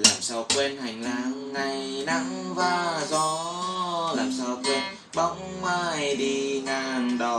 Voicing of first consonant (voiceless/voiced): voiced